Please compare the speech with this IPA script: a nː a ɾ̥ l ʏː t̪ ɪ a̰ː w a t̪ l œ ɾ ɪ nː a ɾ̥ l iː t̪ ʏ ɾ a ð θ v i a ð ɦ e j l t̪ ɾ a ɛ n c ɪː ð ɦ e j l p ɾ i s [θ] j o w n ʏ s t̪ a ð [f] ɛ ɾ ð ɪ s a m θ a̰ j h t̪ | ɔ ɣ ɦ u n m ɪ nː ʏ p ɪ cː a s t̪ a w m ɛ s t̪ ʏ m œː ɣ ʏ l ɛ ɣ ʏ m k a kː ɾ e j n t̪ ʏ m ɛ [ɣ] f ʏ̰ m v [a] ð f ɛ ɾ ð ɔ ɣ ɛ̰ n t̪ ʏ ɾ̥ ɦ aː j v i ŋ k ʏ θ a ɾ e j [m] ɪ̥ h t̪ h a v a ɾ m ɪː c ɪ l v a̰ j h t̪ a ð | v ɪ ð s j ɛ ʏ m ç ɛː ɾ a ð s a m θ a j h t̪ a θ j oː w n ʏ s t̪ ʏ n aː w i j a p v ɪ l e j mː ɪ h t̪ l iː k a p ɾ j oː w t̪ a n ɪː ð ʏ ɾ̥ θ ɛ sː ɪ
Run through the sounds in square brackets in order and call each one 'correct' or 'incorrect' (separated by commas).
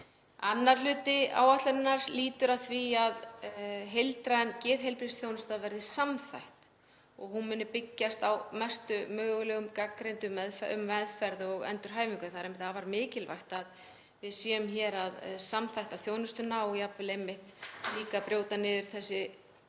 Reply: correct, incorrect, incorrect, incorrect, correct